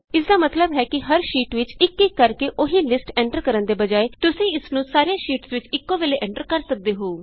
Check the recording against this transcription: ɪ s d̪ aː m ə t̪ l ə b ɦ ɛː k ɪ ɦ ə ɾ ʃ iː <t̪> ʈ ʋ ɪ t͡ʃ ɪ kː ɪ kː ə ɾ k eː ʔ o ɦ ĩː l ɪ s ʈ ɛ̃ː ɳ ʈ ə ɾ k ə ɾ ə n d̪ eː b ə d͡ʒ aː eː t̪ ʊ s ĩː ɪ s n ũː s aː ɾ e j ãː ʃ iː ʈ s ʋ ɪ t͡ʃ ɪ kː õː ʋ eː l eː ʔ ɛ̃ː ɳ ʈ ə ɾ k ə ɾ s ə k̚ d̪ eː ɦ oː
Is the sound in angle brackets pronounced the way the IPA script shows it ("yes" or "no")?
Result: no